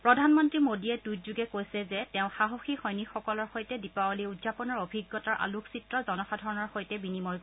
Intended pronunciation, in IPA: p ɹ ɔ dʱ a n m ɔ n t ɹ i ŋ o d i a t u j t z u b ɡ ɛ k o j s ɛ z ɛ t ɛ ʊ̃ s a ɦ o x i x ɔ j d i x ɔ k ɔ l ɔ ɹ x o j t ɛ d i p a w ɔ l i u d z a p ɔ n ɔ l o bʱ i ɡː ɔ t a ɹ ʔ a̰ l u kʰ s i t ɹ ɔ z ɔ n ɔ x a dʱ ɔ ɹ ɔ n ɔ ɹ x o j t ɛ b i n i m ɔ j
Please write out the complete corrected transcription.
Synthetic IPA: p ɹ ɔ dʱ a n m ɔ n t ɹ i m o d i ɛ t u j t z u ɡ ɛ k o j s ɛ z ɛ t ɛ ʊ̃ x a ɦ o x i x ɔ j n i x ɔ k ɔ l ɔ ɹ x o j t ɛ d i p a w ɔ l i u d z a p ɔ n ɔ ɹ o bʱ i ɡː ɔ t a ɹ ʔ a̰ l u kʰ s i t ɹ ɔ z ɔ n ɔ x a dʱ ɔ ɹ ɔ n ɔ ɹ x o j t ɛ b i n i m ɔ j